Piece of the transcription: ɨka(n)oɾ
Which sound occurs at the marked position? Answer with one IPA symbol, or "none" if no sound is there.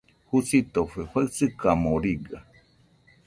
m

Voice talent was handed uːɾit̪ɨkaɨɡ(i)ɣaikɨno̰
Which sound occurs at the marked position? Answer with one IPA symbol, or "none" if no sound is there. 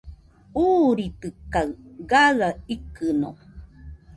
a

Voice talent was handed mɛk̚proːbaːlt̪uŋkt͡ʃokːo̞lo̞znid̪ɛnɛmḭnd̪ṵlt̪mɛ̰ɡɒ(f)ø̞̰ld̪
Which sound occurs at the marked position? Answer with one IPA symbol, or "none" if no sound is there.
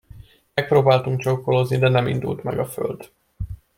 f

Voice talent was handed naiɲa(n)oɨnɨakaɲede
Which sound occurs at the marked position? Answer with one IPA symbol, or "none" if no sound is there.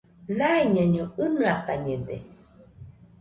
ɲ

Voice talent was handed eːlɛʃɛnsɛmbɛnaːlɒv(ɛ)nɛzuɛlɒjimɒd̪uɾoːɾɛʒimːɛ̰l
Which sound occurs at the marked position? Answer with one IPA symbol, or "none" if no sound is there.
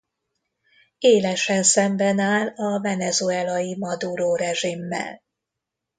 ɛ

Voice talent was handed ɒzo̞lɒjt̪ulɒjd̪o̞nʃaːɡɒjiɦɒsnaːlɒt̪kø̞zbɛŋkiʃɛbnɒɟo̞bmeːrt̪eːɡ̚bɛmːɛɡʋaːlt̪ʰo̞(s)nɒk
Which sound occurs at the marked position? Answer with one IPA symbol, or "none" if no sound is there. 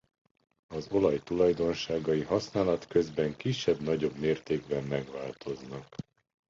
z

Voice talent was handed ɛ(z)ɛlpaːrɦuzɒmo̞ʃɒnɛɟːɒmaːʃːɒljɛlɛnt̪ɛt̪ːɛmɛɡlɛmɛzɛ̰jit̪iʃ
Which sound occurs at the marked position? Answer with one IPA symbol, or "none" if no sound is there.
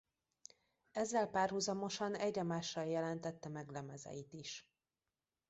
zː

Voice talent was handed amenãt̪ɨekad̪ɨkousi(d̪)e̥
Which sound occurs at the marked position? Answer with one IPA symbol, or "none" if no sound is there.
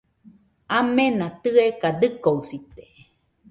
t̪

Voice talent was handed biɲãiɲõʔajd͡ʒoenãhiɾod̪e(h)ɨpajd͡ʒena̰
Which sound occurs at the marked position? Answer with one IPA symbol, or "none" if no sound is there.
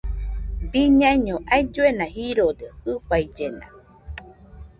h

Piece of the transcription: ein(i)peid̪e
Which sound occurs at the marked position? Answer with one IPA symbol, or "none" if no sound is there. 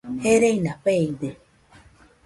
a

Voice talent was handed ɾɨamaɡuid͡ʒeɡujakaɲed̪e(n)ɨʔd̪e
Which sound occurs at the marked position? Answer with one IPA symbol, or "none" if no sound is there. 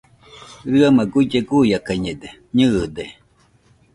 ɲ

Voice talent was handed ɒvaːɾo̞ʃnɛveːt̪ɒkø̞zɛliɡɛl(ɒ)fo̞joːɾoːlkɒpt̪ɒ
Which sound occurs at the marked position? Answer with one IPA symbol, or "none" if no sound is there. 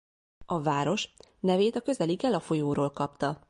ɒ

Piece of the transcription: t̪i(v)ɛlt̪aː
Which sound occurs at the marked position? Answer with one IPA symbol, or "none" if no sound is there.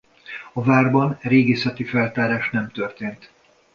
f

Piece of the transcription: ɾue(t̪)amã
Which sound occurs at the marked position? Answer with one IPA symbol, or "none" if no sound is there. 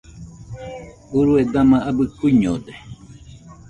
d̪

